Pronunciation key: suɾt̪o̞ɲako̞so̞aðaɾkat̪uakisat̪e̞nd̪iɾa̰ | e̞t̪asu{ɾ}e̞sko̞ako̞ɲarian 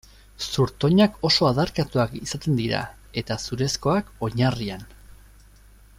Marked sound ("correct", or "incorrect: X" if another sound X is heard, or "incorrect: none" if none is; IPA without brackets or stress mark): correct